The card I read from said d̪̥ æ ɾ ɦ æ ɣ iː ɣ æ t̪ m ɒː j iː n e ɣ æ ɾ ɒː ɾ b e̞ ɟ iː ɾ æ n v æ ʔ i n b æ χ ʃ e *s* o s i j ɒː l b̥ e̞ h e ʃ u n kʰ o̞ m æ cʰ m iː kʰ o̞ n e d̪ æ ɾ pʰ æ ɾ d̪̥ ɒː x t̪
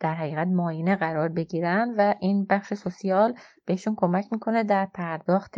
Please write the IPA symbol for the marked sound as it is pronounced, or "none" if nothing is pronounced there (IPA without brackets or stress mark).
s